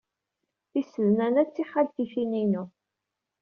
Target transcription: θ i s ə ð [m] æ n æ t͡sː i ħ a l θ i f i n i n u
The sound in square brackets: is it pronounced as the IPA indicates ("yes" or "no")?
no